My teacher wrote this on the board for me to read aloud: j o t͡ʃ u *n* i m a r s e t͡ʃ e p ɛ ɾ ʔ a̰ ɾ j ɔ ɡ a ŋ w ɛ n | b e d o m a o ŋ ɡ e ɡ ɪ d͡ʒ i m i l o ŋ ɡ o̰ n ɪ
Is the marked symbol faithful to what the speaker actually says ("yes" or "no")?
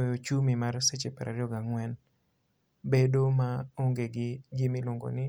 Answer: no